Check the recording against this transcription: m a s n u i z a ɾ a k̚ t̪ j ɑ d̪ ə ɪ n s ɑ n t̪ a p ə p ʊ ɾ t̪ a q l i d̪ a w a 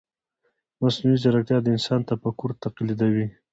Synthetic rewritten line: m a s n u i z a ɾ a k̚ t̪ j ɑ d̪ ə ɪ n s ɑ n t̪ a p ə k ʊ ɾ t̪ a q l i d̪ a w i